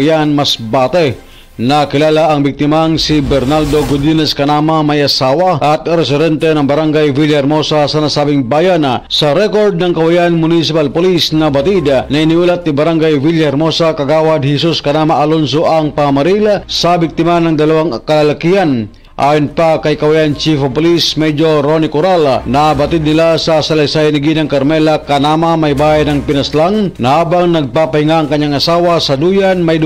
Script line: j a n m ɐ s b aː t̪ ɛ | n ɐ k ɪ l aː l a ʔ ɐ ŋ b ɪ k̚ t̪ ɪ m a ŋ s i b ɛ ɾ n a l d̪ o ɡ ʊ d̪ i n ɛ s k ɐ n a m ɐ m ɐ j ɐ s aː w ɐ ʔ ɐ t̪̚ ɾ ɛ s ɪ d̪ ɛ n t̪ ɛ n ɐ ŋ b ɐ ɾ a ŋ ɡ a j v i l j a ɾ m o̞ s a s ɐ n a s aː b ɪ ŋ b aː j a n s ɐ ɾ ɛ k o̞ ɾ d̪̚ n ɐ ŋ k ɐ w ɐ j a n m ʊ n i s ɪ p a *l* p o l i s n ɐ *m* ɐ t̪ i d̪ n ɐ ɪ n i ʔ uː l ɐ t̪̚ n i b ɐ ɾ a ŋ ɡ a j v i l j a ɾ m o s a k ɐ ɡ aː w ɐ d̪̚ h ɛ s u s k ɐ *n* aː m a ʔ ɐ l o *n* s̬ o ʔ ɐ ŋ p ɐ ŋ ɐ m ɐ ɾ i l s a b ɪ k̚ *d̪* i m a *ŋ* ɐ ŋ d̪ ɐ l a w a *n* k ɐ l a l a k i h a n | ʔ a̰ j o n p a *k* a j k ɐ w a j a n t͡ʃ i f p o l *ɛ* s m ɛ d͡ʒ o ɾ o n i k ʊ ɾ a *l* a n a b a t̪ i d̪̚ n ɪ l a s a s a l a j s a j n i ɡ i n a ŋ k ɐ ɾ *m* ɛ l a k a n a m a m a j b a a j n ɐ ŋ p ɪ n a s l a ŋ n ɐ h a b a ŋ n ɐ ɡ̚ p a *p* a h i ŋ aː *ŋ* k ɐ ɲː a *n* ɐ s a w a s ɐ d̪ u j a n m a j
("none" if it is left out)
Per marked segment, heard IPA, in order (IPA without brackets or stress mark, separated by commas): l, b, n, n, t̪, n, ŋ, k, i, l, m, p, ŋ, ŋ